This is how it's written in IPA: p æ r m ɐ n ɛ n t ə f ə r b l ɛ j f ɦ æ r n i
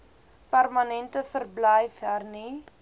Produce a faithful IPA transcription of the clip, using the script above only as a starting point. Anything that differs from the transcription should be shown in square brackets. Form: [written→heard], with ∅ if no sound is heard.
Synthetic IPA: p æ r m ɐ n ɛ n t ə f ə r b l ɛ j f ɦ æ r n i